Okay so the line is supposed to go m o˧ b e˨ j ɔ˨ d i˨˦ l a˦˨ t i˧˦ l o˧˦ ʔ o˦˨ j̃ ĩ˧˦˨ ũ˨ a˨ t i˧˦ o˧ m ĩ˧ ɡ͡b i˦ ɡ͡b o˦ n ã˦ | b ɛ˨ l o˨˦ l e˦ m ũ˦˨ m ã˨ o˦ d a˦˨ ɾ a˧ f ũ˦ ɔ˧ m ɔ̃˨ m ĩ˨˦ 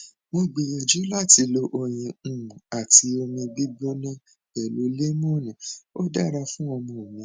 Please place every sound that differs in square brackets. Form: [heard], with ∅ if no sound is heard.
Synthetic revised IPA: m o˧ [ɡ͡b] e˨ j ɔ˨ [d͡ʒ] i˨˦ l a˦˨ t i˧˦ l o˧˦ ʔ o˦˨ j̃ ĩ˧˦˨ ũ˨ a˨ t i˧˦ o˧ m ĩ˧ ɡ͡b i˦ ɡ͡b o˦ n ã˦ | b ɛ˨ l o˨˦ l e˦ m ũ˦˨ [n] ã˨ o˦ d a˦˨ ɾ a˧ f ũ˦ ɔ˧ m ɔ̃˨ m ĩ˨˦